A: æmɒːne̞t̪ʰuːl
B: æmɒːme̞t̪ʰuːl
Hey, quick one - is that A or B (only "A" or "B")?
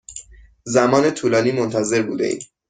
A